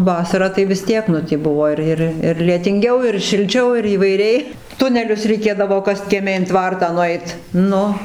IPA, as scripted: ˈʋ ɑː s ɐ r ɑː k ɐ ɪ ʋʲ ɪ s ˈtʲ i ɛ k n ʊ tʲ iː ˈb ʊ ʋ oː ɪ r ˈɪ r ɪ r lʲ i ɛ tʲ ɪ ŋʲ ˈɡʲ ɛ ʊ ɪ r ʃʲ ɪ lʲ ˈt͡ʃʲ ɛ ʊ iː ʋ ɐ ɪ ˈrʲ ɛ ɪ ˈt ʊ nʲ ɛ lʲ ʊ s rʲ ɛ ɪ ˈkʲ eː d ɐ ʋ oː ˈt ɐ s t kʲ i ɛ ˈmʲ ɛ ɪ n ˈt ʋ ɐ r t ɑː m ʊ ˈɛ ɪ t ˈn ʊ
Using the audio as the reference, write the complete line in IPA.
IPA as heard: ˈʋ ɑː s ɐ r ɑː t ɐ ɪ ʋʲ ɪ s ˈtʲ i ɛ k n ʊ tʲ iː ˈb ʊ ʋ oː ɪ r ˈɪ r ɪ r lʲ i ɛ tʲ ɪ ŋʲ ˈɡʲ ɛ ʊ ɪ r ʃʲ ɪ lʲ ˈt͡ʃʲ ɛ ʊ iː ʋ ɐ ɪ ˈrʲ ɛ ɪ ˈt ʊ nʲ ɛ lʲ ʊ s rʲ ɛ ɪ ˈkʲ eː d ɐ ʋ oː ˈk ɐ s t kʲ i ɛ ˈmʲ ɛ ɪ n ˈt ʋ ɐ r t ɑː n ʊ ˈɛ ɪ t ˈn ʊ